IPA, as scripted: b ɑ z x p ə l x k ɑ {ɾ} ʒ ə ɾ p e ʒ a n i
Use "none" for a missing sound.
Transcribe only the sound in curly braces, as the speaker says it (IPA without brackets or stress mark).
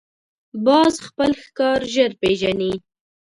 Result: ɾ